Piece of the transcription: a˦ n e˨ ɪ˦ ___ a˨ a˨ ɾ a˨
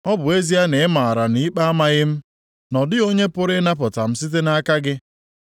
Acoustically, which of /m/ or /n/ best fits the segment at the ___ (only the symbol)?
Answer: m